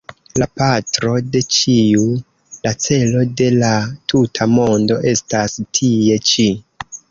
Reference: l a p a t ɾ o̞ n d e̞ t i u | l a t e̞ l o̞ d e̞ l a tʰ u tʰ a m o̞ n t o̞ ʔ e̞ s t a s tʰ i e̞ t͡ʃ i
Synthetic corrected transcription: l a p a t ɾ o̞ d e̞ t͡ʃ i u | l a t͡s e̞ l o̞ d e̞ l a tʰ u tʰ a m o̞ n d o̞ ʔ e̞ s t a s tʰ i e̞ t͡ʃ i